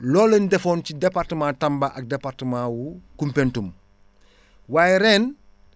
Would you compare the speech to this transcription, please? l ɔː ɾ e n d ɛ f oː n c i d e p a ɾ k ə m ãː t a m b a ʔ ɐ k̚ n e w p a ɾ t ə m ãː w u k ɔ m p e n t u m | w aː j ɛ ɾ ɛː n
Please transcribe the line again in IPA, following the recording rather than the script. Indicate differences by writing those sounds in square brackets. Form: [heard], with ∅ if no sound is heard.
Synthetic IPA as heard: l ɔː [l] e n d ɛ f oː n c i d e p a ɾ [t] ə m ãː t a m b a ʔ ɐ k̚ [d] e [∅] p a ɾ t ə m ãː w u k [u] m p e n t u m | w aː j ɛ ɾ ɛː n